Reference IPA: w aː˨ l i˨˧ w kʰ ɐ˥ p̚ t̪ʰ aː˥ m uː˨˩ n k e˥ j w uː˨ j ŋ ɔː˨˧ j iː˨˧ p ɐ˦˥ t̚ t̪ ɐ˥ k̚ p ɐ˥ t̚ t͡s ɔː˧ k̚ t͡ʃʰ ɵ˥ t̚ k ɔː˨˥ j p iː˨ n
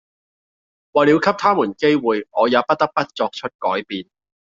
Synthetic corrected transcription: w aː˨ l i˨˧ w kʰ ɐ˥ p̚ t̪ʰ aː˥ m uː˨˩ n k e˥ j w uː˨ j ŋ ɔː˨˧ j aː˨˧ p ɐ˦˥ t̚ t̪ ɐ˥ k̚ p ɐ˥ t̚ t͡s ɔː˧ k̚ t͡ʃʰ ɵ˥ t̚ k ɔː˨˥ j p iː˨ n